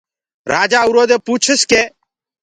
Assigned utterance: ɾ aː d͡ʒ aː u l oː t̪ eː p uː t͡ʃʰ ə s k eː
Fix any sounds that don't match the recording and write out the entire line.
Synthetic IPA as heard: ɾ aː d͡ʒ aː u ɾ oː d̪ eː p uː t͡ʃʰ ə s k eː